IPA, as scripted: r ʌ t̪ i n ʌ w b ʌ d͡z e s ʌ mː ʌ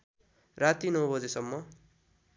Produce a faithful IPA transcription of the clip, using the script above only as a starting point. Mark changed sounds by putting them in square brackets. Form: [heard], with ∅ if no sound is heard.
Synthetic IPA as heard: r [a] t̪ i n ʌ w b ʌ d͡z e s ʌ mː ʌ